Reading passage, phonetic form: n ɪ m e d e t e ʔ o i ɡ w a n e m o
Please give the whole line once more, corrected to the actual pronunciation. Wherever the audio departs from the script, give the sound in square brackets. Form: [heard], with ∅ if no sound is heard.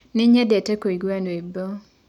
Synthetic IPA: n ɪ [ɲ] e d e t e [k] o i ɡ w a n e [b] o